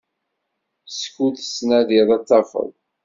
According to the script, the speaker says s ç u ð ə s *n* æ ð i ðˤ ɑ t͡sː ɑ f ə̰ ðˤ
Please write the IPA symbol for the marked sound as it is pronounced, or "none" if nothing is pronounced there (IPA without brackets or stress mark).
n